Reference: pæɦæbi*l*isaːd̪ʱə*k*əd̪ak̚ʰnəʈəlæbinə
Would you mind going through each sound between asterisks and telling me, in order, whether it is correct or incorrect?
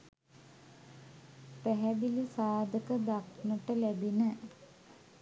correct, correct

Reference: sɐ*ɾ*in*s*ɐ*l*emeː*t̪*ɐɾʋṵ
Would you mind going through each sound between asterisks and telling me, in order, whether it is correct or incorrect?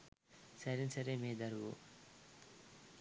correct, correct, incorrect, incorrect

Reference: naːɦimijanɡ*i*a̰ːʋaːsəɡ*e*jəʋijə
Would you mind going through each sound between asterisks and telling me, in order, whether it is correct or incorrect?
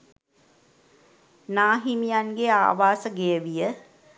incorrect, correct

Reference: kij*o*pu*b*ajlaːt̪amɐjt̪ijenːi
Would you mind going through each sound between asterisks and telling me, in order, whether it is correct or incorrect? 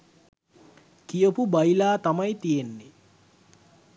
correct, correct

